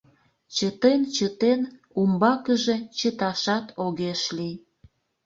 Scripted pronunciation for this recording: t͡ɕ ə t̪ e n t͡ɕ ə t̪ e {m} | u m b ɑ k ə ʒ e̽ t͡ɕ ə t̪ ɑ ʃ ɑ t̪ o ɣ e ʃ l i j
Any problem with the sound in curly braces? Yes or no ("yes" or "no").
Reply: yes